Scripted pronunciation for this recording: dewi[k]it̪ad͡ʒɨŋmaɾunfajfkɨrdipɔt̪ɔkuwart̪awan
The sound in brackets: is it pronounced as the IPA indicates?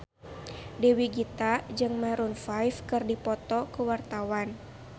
no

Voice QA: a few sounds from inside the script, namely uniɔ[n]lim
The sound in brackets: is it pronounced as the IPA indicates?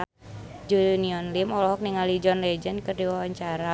yes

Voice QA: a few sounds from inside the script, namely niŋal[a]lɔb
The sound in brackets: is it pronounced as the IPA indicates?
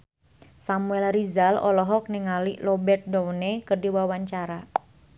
no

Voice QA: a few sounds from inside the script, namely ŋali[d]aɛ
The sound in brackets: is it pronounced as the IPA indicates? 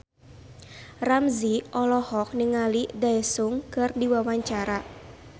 yes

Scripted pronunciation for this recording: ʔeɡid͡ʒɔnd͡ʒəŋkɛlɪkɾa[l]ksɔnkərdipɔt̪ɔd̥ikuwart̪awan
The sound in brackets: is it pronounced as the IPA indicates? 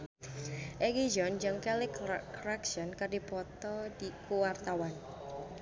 no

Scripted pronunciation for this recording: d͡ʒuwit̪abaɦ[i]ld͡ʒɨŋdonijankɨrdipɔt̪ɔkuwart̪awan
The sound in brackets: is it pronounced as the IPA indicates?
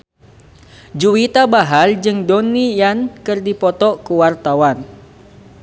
no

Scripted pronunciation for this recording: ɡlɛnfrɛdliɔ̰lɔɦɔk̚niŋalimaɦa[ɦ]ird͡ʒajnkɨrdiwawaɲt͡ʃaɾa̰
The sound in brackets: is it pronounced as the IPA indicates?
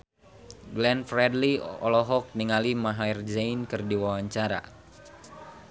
no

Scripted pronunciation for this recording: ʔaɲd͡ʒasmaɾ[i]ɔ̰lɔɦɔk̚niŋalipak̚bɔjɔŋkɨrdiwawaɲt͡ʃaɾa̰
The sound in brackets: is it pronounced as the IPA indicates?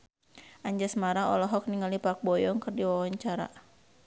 no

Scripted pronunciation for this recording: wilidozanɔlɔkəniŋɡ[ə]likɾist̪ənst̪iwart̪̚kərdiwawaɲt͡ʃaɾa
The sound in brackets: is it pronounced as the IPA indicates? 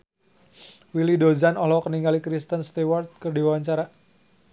no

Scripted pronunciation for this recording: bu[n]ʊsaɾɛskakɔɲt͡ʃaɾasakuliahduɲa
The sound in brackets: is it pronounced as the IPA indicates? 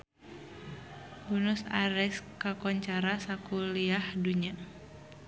yes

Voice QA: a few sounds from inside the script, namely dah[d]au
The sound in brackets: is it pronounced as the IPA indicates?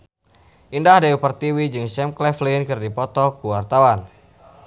yes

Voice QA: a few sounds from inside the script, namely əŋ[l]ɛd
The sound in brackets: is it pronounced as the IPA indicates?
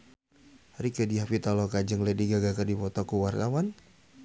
yes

